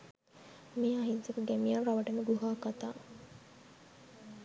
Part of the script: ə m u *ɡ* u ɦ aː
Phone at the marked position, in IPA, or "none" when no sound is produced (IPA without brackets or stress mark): ɡ